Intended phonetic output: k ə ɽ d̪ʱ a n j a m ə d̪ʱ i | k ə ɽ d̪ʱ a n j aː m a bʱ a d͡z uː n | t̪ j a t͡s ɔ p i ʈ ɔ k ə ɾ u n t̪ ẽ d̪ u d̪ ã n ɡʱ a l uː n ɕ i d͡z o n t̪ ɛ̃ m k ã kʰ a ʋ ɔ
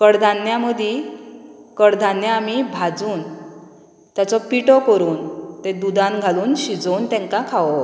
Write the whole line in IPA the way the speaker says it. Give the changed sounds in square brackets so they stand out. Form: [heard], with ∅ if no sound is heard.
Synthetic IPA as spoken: k ə ɽ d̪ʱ a n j a m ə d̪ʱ i | k ə ɽ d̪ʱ a n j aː m [i] bʱ a d͡z uː n | t̪ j a t͡s ɔ p i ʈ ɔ k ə ɾ [uː] n t̪ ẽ d̪ u d̪ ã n ɡʱ a l uː n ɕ i d͡z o n t̪ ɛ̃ [ŋ] k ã kʰ a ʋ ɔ